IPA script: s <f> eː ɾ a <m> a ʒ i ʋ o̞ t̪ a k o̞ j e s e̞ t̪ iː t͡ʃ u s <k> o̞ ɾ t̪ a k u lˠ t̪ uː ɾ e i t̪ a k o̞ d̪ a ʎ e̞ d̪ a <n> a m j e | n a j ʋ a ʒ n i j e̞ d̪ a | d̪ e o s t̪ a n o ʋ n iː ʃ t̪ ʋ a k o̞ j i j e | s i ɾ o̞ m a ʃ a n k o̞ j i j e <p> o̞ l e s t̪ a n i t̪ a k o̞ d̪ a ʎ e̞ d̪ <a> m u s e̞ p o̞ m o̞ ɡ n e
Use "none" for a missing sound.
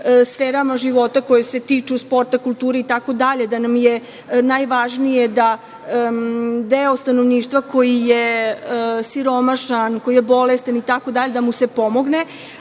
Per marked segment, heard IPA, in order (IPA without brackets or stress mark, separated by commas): f, m, p, n, b, a